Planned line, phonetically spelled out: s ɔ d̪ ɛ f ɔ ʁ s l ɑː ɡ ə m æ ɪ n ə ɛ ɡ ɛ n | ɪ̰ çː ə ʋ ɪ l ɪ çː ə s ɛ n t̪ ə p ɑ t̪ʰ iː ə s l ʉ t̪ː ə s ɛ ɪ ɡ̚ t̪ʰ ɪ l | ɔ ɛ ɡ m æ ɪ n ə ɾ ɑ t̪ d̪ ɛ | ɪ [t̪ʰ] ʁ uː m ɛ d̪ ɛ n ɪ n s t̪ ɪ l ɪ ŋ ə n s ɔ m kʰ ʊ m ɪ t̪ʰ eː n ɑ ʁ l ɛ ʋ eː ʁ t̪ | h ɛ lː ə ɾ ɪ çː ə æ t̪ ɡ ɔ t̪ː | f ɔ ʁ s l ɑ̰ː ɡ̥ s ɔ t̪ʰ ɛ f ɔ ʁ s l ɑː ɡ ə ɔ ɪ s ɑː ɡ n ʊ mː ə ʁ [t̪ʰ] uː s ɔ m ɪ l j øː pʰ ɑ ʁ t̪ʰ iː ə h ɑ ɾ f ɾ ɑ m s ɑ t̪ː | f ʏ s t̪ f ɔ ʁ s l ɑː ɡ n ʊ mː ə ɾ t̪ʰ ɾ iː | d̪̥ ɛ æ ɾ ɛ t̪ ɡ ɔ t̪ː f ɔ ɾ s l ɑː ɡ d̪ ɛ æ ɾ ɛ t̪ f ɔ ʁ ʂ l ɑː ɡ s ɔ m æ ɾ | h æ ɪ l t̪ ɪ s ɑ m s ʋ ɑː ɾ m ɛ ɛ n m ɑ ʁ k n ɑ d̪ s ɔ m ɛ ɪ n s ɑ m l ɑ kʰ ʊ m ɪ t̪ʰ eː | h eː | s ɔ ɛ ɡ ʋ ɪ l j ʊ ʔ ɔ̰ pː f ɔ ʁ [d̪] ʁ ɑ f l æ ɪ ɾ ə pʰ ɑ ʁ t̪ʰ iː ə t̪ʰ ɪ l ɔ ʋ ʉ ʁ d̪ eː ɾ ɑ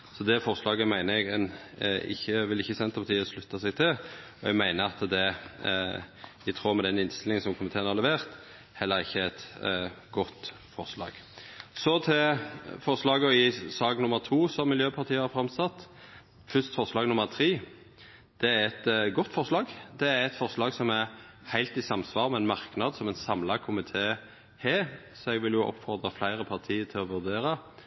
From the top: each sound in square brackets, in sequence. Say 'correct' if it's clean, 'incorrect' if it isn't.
correct, correct, correct

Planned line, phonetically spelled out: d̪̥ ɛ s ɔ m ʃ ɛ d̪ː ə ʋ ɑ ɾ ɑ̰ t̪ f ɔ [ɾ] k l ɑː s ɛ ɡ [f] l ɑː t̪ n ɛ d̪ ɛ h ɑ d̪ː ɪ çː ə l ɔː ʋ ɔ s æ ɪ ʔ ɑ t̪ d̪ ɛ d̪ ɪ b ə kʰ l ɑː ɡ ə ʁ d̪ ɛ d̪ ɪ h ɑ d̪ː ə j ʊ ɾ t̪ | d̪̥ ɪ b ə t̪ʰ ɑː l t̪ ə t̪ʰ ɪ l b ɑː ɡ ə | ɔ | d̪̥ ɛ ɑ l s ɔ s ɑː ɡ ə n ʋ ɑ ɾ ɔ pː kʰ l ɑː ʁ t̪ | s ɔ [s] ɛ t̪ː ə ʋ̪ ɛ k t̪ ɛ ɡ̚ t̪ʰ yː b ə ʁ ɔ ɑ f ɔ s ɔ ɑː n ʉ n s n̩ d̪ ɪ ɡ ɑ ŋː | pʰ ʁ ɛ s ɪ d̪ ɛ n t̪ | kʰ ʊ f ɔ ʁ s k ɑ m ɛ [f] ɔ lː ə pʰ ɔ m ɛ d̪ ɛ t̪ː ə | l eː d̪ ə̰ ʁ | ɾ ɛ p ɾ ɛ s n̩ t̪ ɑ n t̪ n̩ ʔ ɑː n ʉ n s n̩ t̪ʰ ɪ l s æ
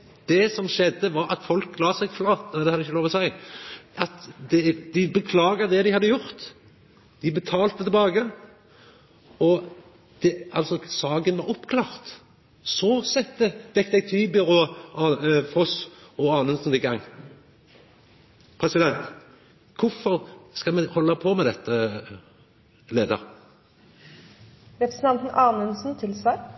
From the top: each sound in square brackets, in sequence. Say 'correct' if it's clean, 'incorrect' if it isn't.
incorrect, correct, correct, incorrect

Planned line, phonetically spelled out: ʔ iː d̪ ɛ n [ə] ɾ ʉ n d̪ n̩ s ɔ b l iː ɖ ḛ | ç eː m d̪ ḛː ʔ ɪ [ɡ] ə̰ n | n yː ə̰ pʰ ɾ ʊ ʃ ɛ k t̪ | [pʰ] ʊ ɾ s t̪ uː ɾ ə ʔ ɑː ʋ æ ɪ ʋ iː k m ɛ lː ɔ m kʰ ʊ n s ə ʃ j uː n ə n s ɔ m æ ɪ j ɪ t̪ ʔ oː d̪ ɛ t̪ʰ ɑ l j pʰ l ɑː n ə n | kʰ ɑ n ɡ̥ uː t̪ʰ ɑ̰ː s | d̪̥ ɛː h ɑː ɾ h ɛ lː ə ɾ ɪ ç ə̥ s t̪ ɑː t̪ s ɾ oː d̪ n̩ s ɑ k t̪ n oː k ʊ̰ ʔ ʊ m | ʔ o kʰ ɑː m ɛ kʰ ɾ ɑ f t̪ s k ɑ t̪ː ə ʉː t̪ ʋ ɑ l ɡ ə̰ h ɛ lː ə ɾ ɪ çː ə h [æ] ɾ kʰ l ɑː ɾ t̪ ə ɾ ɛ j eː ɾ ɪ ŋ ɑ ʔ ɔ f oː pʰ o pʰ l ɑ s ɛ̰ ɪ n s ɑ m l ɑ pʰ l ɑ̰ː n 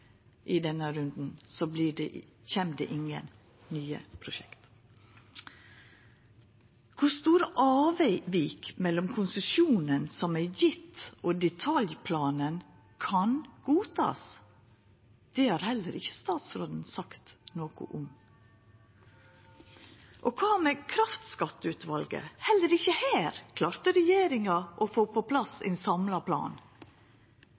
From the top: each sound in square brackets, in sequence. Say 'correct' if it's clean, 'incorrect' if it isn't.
correct, incorrect, incorrect, incorrect

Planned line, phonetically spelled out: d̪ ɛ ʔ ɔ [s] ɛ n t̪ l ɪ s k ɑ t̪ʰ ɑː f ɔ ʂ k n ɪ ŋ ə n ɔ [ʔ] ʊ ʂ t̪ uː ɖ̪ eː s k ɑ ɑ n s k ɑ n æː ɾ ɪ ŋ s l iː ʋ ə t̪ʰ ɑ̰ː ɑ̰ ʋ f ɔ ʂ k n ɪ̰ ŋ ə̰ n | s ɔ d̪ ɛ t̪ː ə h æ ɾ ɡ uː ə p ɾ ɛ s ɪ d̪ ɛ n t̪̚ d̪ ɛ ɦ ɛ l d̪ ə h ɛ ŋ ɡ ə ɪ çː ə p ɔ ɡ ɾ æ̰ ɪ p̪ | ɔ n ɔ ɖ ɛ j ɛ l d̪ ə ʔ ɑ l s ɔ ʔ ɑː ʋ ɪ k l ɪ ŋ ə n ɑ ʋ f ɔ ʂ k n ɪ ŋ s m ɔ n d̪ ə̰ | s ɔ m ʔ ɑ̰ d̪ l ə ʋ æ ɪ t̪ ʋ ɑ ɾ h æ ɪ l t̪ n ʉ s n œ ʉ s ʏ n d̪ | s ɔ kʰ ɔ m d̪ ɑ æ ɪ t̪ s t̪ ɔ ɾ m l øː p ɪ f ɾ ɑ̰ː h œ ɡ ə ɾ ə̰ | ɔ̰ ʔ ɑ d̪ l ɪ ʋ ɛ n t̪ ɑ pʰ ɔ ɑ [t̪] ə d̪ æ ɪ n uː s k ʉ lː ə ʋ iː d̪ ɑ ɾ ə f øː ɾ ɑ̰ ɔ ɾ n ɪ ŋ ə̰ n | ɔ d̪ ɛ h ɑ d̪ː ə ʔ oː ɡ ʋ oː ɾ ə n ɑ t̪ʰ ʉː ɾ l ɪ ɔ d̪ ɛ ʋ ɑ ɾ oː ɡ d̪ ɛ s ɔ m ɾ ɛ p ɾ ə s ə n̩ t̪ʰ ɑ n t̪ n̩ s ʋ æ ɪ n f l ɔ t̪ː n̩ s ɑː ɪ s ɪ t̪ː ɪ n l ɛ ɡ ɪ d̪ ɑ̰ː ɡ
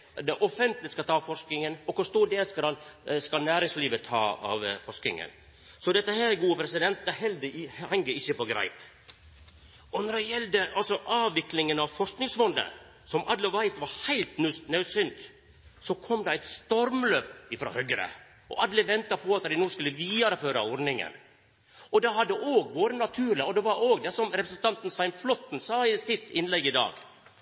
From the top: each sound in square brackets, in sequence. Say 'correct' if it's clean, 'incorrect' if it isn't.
incorrect, incorrect, correct

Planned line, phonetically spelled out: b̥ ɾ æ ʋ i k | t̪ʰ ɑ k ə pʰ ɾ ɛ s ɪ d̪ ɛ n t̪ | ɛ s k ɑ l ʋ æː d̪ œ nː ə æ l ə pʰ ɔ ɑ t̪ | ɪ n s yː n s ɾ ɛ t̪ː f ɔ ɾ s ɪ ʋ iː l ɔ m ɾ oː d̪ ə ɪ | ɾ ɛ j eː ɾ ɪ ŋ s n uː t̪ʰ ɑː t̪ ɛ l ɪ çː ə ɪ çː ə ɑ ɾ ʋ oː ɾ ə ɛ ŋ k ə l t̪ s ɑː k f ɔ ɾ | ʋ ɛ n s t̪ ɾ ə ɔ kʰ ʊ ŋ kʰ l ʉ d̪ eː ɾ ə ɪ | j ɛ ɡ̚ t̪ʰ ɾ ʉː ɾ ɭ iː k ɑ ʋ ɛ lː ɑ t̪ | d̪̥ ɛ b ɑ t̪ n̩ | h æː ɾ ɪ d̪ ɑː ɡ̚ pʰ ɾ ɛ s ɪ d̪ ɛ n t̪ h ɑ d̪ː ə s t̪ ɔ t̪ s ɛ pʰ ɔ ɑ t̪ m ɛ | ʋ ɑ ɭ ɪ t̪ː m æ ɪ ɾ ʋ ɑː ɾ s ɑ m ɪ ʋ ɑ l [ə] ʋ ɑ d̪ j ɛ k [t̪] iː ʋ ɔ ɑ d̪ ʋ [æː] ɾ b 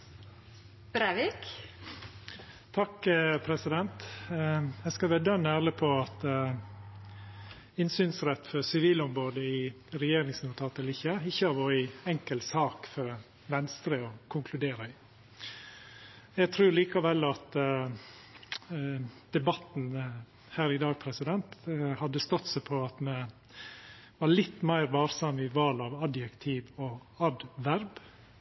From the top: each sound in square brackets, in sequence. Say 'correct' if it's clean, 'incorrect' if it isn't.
incorrect, incorrect, incorrect

